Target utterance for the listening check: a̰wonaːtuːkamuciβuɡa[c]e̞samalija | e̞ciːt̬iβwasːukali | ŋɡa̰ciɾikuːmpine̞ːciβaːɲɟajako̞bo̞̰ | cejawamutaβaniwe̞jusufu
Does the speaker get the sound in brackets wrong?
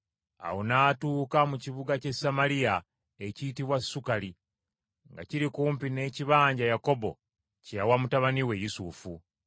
no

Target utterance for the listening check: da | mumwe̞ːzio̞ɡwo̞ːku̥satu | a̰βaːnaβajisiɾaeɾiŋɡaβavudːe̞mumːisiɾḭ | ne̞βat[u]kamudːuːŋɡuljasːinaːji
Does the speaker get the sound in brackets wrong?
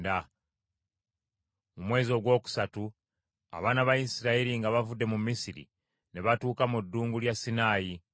yes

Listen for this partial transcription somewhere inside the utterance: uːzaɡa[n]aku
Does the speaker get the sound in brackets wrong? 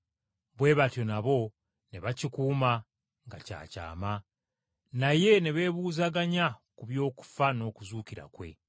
yes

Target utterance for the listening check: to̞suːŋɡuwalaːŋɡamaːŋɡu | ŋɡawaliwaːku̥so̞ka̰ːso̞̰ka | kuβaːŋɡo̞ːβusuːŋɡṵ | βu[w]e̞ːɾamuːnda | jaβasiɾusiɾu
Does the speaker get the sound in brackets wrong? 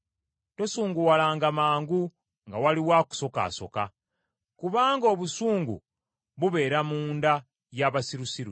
yes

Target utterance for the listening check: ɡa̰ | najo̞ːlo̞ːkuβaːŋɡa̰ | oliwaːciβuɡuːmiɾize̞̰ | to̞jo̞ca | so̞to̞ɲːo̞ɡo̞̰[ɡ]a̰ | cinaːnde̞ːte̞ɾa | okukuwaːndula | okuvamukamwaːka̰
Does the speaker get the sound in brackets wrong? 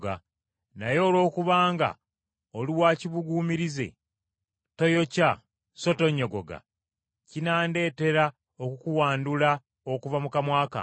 no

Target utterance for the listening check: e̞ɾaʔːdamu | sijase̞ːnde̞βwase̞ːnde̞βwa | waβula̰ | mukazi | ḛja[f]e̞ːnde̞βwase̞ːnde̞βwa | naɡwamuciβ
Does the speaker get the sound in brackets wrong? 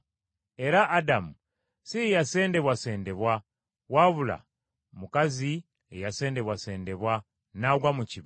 yes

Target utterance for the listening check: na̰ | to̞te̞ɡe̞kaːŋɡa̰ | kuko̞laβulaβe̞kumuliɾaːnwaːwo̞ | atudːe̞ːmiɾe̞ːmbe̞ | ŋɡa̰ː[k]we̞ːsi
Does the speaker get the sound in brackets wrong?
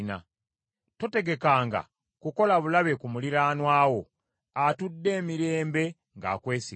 no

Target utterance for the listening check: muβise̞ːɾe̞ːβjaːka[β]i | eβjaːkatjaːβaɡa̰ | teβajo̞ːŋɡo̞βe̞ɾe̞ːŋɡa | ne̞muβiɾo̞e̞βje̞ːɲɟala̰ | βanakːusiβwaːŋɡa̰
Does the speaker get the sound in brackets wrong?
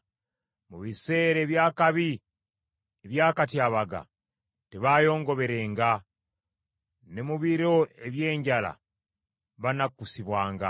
no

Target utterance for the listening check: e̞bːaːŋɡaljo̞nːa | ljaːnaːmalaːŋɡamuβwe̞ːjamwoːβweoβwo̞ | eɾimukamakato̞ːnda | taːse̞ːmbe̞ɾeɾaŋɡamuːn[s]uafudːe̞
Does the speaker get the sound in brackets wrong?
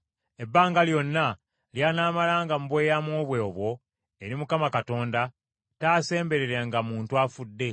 yes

